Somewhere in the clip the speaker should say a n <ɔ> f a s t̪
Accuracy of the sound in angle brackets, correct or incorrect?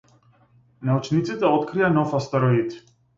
correct